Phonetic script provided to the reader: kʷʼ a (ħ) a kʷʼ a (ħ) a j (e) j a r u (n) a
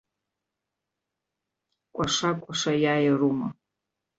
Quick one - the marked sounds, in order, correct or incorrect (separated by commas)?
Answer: incorrect, incorrect, incorrect, incorrect